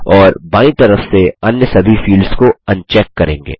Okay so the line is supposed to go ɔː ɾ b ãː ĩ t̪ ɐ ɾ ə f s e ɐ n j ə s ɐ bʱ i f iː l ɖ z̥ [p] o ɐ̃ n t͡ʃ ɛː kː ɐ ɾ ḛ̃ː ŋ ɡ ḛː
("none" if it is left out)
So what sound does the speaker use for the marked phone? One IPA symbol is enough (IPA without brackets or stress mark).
k